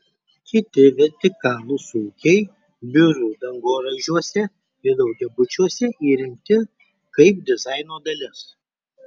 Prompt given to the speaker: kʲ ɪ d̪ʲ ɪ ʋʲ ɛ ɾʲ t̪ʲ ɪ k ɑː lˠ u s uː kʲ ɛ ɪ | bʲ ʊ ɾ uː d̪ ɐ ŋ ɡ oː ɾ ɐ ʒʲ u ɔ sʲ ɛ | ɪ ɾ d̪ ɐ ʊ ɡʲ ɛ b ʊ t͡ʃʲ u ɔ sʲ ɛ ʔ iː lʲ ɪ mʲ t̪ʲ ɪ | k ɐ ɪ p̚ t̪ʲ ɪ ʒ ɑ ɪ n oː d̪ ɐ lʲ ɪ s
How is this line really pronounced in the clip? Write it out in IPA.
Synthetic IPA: kʲ ɪ t̪ʲ ɪ ʋʲ ɛ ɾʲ t̪ʲ ɪ k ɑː lˠ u s uː kʲ ɛ ɪ | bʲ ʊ ɾ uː d̪ ɐ ŋ ɡ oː ɾ ɐ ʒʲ u ɔ sʲ ɛ | ɪ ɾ d̪ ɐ ʊ ɡʲ ɛ b ʊ t͡ʃʲ u ɔ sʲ ɛ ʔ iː ɾʲ ɪ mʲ t̪ʲ ɪ | k ɐ ɪ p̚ d̪ʲ ɪ z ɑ ɪ n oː d̪ ɐ lʲ ɪ s